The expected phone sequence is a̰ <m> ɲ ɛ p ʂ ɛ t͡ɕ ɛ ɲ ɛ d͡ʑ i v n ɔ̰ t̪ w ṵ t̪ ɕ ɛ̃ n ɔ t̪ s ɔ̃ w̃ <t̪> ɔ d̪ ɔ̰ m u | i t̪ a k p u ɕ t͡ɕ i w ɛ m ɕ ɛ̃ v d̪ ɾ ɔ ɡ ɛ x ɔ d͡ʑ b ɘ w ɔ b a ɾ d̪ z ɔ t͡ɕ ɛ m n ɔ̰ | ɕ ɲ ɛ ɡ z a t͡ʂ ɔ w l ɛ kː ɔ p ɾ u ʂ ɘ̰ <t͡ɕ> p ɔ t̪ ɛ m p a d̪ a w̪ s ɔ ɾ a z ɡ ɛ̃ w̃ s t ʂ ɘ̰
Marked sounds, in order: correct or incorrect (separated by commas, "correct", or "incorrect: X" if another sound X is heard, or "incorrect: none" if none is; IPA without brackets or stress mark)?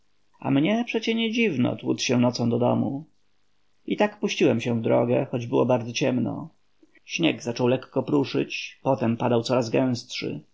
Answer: correct, incorrect: d̪, correct